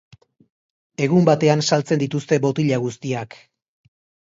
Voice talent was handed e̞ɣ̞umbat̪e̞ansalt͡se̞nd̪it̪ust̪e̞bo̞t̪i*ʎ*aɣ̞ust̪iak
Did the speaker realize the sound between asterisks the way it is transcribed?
yes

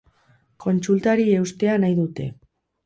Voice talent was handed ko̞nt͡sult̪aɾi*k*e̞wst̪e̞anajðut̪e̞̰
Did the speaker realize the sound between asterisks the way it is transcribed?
no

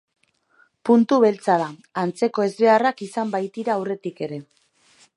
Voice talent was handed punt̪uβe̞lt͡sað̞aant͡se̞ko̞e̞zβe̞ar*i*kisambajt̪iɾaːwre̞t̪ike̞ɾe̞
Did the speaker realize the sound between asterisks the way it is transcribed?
no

